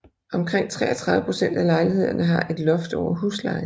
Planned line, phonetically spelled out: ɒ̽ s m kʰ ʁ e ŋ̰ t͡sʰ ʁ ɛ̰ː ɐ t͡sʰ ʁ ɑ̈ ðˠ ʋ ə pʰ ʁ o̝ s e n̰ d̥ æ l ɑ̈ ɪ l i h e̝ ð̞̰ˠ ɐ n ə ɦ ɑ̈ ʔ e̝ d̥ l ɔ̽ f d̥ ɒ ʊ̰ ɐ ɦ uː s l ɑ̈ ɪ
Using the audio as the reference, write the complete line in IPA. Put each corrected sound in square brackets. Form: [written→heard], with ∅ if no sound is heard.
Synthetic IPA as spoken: ɒ̽ [s→∅] m kʰ ʁ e ŋ̰ t͡sʰ ʁ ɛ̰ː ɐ t͡sʰ ʁ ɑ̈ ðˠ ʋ ə pʰ ʁ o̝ s e n̰ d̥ æ l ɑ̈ ɪ l i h e̝ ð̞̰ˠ ɐ n ə ɦ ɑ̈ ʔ e̝ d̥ l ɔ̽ f d̥ ɒ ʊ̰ ɐ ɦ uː s l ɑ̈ ɪ